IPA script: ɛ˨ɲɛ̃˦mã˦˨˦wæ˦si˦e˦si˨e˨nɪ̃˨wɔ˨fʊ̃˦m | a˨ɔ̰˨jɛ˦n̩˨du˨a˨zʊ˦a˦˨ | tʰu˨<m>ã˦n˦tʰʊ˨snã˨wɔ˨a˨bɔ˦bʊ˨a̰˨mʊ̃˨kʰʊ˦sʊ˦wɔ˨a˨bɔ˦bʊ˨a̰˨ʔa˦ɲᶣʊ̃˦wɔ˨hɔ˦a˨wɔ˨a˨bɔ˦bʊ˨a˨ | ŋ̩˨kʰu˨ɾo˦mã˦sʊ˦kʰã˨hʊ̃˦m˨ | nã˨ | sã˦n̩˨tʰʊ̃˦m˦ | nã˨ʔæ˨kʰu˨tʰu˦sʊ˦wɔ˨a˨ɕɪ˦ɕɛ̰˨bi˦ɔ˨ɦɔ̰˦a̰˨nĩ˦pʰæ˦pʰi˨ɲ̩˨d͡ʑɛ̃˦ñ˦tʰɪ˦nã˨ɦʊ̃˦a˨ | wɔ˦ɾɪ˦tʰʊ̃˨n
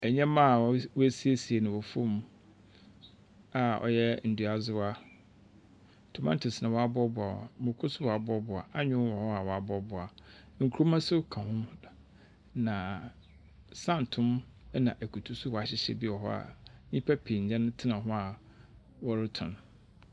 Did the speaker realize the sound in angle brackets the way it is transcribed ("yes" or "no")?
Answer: yes